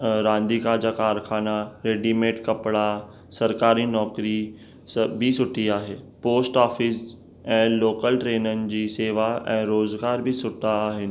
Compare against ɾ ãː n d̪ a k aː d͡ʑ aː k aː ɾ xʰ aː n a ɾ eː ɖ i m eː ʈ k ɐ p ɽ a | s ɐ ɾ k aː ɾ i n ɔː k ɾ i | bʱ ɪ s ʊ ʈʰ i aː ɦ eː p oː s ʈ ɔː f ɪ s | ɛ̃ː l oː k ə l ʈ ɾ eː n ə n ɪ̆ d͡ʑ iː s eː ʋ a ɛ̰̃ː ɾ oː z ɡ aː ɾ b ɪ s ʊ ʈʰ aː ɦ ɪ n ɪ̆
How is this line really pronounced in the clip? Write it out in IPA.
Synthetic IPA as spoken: ɾ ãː n d̪ i k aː d͡ʑ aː k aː ɾ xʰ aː n a ɾ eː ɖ i m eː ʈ k ɐ p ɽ a | s ɐ ɾ k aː ɾ i n ɔː k ɾ i | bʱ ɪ s ʊ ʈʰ i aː ɦ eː p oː s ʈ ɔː f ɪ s | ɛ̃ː l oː k ə l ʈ ɾ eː n ə n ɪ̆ d͡ʑ iː s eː ʋ a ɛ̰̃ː ɾ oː z ɡ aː ɾ b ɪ s ʊ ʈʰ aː ɦ ɪ n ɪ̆